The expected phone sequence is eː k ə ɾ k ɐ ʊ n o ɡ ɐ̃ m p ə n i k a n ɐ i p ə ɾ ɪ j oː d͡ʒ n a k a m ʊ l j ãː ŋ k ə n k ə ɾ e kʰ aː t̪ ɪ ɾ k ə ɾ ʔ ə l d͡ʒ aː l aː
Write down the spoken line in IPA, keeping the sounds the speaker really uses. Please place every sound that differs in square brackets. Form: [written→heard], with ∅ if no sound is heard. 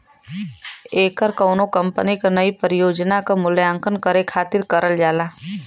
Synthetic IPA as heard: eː k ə ɾ k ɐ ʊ n o [ɡ→k] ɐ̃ m p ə n i k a n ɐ i p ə ɾ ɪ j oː d͡ʒ n a k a m ʊ l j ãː ŋ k ə n k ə ɾ e kʰ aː t̪ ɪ ɾ k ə ɾ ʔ ə l d͡ʒ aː l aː